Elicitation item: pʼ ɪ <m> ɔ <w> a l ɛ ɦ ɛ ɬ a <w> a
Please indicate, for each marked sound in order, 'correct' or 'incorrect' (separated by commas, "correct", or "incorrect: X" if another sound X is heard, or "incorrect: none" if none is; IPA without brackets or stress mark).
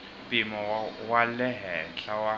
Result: correct, correct, correct